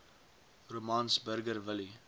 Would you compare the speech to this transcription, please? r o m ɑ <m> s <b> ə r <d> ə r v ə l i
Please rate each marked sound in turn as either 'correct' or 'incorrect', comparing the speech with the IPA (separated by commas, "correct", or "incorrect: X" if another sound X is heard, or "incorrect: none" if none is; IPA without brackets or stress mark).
incorrect: n, correct, incorrect: ɡ